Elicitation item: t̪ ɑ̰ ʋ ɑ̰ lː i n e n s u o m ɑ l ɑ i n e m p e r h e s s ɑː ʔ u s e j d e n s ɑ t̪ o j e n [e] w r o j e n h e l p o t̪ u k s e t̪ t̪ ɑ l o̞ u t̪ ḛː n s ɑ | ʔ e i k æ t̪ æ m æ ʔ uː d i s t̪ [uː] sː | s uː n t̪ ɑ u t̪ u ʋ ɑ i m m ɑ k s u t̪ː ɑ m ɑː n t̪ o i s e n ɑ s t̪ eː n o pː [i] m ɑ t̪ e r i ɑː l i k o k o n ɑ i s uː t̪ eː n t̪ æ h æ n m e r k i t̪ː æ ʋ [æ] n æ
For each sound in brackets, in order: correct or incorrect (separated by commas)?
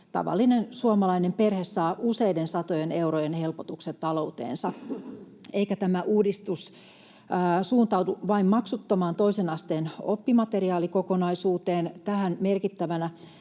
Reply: correct, incorrect, correct, correct